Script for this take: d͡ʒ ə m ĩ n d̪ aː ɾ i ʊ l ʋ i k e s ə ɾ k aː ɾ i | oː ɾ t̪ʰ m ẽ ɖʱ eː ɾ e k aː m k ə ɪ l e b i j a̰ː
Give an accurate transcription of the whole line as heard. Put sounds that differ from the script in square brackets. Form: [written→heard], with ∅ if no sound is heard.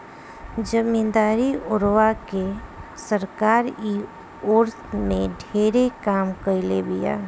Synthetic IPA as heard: d͡ʒ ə m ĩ n d̪ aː ɾ i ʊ [l→ɾ] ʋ [i→a] k e s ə ɾ k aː ɾ i | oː ɾ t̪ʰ m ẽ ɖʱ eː ɾ e k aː m k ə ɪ l e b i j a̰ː